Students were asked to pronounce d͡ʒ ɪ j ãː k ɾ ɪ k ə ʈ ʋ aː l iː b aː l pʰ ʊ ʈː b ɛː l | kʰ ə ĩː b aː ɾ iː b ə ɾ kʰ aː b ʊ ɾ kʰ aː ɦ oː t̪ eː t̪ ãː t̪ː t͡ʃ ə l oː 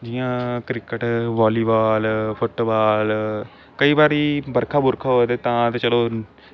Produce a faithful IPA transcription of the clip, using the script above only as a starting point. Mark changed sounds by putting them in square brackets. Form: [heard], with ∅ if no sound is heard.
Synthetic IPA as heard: d͡ʒ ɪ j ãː k ɾ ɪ k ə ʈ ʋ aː l iː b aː l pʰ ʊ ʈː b [aː] l | [k] ə [iː] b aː ɾ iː b ə ɾ kʰ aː b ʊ ɾ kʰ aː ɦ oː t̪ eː t̪ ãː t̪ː t͡ʃ ə l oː